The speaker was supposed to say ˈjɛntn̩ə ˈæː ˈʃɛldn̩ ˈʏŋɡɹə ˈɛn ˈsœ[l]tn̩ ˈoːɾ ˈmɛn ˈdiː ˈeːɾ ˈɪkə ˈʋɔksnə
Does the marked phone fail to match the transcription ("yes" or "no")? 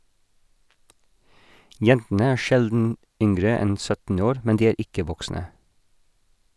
yes